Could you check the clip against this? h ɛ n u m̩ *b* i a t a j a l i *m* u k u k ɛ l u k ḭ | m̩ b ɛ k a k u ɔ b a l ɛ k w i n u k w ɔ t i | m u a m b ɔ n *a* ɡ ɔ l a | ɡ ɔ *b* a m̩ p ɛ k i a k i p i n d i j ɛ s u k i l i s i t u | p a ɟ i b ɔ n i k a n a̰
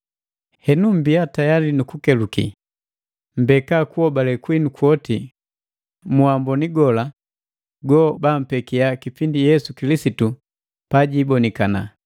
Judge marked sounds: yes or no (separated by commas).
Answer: yes, no, no, yes